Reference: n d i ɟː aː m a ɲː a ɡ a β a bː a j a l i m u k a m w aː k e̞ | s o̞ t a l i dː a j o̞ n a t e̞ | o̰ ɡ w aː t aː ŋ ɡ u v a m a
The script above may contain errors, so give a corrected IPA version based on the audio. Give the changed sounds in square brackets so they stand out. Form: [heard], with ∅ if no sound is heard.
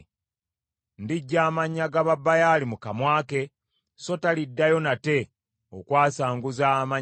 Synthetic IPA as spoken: n d i ɟː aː m a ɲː a ɡ a β a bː a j a l i m u k a m w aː k e̞ | s o̞ t a l i dː a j o̞ n a t e̞ | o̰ [k] w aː [s] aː ŋ ɡ u [z] a m a